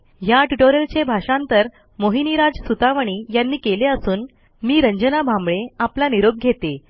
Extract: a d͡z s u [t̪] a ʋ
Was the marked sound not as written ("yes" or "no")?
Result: no